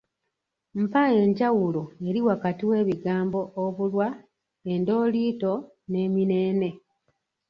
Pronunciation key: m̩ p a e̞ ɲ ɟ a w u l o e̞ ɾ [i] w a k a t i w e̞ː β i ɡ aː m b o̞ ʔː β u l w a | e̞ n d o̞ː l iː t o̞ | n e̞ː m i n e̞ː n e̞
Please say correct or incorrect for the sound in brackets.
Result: correct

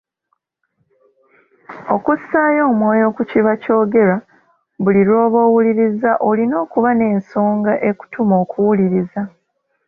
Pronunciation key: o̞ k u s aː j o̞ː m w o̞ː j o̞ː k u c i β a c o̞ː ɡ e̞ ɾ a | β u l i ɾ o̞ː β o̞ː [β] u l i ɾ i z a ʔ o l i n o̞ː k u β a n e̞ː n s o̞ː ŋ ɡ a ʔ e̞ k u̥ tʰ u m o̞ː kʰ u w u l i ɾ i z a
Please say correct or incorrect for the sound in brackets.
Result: incorrect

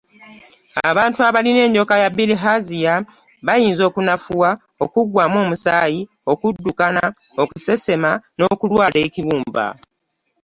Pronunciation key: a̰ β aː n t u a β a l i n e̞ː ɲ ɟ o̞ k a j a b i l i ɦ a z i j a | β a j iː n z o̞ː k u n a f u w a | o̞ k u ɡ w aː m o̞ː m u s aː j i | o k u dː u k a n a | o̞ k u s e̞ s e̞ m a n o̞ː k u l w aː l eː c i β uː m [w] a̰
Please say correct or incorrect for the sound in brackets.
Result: incorrect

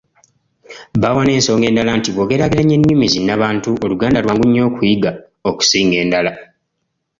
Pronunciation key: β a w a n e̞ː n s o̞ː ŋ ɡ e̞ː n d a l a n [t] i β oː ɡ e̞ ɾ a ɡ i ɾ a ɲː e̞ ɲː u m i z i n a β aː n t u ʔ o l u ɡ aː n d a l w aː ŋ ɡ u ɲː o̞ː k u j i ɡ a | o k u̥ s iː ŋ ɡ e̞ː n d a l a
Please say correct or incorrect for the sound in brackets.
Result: correct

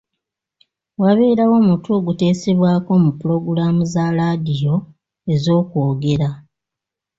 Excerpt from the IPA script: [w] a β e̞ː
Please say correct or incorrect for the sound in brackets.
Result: correct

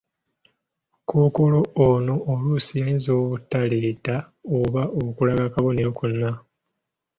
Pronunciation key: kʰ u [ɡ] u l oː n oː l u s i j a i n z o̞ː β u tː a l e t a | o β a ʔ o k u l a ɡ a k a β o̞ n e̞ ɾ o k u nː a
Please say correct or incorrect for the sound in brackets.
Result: incorrect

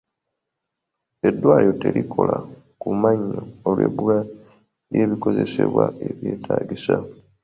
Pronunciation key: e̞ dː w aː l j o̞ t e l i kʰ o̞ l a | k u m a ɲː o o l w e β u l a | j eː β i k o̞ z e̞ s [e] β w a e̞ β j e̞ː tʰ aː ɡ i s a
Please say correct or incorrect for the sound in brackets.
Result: correct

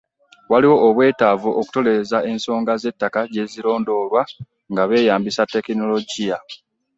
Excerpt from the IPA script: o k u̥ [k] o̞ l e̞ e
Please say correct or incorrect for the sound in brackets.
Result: incorrect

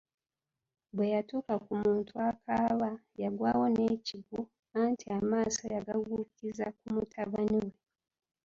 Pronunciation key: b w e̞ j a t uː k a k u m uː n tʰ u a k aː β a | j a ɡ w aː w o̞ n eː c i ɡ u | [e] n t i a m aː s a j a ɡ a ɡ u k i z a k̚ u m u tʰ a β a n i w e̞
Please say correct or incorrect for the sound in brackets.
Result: incorrect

